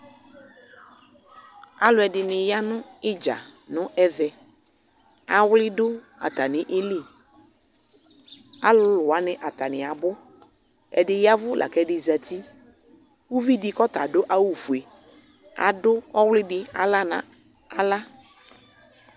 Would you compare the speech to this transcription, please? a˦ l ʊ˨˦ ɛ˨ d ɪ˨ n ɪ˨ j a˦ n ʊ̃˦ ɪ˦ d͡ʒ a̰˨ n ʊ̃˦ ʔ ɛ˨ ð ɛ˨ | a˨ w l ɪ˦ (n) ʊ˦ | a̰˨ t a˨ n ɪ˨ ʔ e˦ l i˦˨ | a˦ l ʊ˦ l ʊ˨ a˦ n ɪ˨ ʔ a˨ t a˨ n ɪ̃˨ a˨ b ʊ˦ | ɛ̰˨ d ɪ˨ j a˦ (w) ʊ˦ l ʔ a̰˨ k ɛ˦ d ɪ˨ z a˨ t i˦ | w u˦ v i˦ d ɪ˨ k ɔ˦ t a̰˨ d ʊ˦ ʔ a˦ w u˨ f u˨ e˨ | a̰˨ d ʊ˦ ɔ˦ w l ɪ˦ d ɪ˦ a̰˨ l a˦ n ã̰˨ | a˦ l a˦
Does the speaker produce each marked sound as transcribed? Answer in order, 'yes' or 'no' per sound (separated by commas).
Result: no, no